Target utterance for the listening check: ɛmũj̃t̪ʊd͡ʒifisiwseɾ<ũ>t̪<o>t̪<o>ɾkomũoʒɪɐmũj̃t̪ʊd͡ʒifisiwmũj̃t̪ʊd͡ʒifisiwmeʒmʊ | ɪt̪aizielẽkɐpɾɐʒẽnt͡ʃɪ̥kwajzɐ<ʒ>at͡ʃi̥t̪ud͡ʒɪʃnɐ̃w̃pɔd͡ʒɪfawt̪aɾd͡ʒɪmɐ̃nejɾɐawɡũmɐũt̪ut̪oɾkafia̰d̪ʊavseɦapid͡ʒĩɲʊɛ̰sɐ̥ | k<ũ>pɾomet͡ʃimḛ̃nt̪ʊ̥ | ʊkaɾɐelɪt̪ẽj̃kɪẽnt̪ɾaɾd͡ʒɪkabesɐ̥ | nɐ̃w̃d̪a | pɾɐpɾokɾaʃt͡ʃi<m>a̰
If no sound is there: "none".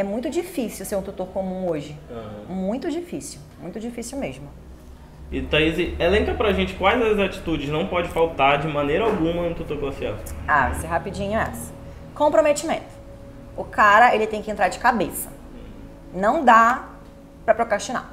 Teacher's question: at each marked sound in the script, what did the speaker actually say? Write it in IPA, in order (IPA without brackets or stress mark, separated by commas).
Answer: ũ, u, o, z, õ, n